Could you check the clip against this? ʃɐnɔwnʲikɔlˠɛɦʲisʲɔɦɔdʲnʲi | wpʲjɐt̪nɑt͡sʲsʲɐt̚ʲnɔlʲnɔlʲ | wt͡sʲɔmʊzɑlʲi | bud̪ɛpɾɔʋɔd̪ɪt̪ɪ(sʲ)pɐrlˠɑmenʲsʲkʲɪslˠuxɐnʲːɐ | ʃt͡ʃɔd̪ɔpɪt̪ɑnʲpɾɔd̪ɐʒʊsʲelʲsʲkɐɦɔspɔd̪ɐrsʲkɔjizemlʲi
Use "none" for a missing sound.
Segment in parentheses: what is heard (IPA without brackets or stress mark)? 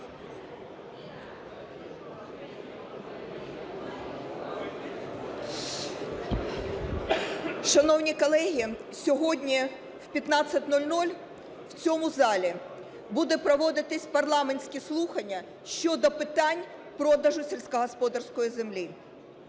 sʲ